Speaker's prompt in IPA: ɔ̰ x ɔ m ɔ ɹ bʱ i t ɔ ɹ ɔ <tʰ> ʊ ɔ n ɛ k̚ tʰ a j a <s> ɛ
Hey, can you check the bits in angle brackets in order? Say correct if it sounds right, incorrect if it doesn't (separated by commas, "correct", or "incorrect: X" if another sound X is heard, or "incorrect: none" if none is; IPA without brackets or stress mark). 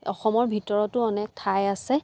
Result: incorrect: t, correct